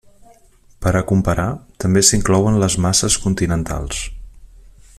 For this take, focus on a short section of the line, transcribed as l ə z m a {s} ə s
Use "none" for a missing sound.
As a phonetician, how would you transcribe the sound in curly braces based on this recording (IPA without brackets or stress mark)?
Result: s